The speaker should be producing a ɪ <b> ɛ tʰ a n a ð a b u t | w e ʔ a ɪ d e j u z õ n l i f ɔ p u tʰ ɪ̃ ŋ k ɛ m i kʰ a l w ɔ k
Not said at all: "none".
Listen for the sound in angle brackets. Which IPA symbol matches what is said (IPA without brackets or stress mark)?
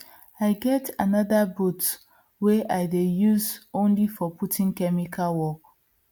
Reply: ɡ